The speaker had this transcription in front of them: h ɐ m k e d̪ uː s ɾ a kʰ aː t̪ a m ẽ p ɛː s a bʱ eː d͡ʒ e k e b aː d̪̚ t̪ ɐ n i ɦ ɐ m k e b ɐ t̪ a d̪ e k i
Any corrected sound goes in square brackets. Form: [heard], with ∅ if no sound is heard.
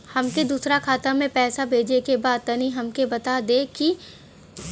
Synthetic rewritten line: h ɐ m k e d̪ uː s ɾ a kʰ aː t̪ a m ẽ p ɛː s a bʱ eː d͡ʒ e k e b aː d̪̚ t̪ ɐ n i ɦ ɐ m k e b ɐ t̪ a d̪ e k i